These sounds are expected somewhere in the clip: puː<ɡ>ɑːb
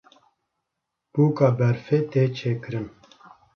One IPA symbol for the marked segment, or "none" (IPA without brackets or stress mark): k